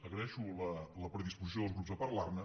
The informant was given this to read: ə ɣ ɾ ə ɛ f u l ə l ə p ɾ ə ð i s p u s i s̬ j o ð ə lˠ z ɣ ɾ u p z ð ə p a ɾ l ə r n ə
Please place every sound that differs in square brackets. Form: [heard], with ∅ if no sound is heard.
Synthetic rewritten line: ə ɣ ɾ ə ɛ [ʃ] u l ə l ə p ɾ ə ð i s p u [z] i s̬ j o ð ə lˠ z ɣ ɾ u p z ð ə p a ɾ l [a] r n ə